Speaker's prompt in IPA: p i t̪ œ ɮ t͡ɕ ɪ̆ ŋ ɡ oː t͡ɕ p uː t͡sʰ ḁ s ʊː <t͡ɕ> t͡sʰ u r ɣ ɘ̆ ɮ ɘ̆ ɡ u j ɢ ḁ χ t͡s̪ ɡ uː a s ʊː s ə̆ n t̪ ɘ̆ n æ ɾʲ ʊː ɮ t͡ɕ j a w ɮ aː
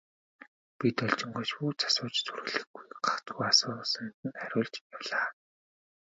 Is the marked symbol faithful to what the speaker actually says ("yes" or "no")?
yes